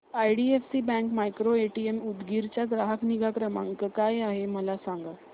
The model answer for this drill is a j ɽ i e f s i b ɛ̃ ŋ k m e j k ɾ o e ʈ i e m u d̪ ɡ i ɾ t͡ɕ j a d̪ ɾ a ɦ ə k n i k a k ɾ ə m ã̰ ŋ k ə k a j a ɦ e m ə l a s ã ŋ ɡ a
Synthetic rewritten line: a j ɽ i e f s i b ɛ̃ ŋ k m a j k ɾ o e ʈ i e m u d̪ ɡ i ɾ t͡ɕ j a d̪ ɾ a ɦ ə k n i ɡ a k ɾ ə m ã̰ ŋ k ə k a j a ɦ e m ə l a s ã ŋ ɡ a